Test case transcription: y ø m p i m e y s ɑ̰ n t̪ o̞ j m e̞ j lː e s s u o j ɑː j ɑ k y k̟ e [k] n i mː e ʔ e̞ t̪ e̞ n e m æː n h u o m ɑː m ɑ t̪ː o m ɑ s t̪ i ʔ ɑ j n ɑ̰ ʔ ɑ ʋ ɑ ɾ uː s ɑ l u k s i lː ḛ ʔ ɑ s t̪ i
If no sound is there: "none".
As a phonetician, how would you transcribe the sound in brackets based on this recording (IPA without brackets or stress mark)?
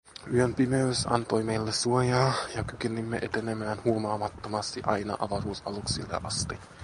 none